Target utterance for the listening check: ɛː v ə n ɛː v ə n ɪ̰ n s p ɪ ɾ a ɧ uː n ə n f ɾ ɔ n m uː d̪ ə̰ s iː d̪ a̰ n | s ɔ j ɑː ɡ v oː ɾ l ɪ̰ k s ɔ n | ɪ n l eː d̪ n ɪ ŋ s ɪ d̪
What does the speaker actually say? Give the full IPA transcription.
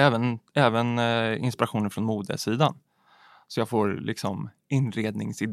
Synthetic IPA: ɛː v ə n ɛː v ə n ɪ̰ n s p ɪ ɾ a ɧ uː n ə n f ɾ ɔ n m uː d̪ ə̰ s iː d̪ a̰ n | s ɔ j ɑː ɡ f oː ɾ l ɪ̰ k s ɔ m | ɪ n ɾ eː d̪ n ɪ ŋ s ɪ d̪